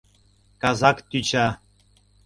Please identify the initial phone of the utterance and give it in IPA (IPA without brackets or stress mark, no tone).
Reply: k